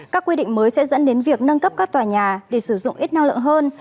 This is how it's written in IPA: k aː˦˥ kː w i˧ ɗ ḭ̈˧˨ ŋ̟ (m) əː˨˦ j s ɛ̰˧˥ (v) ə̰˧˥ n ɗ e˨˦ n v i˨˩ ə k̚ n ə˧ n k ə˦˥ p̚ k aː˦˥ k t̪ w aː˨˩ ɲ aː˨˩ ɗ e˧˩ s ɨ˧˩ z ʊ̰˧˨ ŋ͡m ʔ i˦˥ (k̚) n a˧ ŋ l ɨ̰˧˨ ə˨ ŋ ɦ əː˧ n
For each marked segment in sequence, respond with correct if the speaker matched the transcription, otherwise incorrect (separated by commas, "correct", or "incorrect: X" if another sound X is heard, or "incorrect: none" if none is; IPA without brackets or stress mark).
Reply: correct, incorrect: z, incorrect: t̚